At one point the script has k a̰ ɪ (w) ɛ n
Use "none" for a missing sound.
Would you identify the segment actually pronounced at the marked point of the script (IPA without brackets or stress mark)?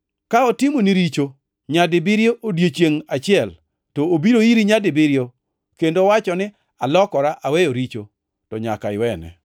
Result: w